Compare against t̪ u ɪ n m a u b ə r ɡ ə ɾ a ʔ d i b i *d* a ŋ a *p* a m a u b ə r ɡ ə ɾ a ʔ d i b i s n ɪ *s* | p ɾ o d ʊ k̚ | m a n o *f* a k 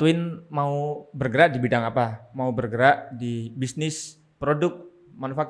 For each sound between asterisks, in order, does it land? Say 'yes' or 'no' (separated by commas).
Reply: yes, yes, yes, yes